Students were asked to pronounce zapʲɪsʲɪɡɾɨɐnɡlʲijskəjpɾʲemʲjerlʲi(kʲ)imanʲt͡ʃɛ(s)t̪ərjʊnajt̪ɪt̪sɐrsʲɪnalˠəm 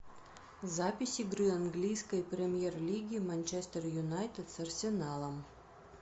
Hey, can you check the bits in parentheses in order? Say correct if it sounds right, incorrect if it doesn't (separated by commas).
incorrect, correct